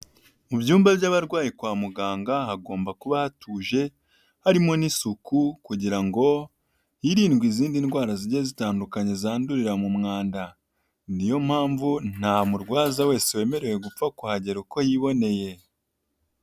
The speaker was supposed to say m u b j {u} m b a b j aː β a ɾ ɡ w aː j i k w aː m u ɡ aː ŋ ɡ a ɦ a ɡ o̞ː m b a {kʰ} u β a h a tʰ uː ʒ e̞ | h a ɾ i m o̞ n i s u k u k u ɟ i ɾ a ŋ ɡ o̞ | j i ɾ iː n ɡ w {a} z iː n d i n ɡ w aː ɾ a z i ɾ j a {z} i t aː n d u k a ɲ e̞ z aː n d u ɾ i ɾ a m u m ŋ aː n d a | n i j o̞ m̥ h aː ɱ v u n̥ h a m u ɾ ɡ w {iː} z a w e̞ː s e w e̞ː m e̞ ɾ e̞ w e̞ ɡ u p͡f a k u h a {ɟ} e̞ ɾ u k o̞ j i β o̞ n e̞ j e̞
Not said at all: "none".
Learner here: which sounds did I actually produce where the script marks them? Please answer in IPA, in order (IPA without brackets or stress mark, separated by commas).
uː, k, i, z, aː, ɟ